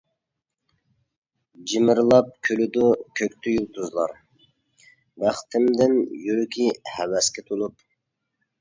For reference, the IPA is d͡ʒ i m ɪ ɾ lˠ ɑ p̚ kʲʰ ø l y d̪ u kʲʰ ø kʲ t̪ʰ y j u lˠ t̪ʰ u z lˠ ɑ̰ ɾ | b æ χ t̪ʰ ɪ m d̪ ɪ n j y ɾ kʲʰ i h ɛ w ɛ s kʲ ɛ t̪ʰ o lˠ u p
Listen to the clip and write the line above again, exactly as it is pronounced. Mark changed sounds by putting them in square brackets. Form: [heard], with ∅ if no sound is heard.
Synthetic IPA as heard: d͡ʒ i m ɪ ɾ lˠ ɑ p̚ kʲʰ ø l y d̪ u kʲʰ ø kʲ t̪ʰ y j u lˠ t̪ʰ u z lˠ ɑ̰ ɾ | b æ χ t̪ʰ ɪ m d̪ ɪ n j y ɾ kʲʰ i h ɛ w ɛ s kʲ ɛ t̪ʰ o lˠ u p